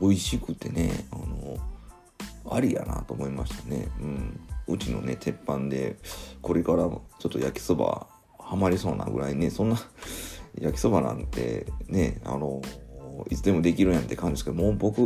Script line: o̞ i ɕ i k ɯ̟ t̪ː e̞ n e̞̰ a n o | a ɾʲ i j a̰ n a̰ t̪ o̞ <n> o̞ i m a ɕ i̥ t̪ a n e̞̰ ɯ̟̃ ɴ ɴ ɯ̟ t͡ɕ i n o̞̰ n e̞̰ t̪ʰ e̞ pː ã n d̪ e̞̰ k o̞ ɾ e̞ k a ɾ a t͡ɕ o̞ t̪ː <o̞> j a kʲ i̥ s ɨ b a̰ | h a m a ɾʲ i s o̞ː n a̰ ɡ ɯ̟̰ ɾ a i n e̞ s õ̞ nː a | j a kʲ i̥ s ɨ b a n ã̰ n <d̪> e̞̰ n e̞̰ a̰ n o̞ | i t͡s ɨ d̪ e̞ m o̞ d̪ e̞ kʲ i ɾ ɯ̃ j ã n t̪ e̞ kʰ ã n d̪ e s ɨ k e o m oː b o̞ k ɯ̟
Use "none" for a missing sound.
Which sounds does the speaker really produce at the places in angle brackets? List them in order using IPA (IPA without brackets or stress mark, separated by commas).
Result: m, o̞, t̪